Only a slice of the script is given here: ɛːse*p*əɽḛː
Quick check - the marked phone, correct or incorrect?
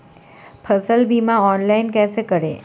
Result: incorrect